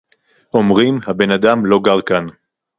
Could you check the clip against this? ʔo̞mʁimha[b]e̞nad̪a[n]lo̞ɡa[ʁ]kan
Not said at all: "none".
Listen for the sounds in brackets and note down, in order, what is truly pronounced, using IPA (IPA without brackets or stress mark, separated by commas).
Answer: b, m, ʁ